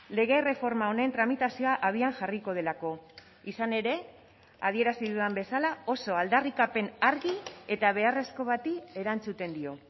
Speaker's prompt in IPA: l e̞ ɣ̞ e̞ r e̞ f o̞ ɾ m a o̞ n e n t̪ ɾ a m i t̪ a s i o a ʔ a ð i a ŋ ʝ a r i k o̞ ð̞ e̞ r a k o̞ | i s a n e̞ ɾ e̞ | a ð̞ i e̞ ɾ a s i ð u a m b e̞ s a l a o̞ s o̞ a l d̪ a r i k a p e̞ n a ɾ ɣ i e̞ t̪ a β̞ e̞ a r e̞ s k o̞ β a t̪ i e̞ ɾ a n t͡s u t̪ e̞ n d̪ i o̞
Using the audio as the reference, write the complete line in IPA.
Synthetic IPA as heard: l e̞ ɣ̞ e̞ r e̞ f o̞ ɾ m a o̞ n e n t̪ ɾ a m i t̪ a s i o a ʔ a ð i a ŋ ʝ a r i k o̞ ð̞ e̞ l a k o̞ | i s a n e̞ ɾ e̞ | a ð̞ i e̞ ɾ a s i ð u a m b e̞ s a l a o̞ s o̞ a l d̪ a r i k a p e̞ n a ɾ ɣ i e̞ t̪ a β̞ e̞ a r e̞ s k o̞ β a t̪ i e̞ ɾ a n t͡s u t̪ e̞ n d̪ i o̞